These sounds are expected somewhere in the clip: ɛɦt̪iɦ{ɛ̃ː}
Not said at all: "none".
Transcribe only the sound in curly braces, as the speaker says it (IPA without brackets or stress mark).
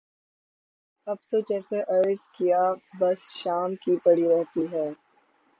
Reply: ɛː